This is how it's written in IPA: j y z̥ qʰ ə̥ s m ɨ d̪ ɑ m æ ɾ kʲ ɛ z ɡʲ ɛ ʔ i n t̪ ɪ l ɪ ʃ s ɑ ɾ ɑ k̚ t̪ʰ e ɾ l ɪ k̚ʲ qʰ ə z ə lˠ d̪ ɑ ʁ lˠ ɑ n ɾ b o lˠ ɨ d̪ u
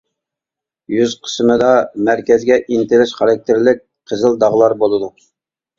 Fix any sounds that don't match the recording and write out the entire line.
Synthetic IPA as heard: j y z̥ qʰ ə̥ s m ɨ d̪ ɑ m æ ɾ kʲ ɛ z ɡʲ ɛ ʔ i n t̪ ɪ l ɪ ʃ χ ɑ ɾ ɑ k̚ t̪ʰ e ɾ l ɪ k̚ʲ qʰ ə z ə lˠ d̪ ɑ ʁ lˠ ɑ ɾ b o lˠ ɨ d̪ u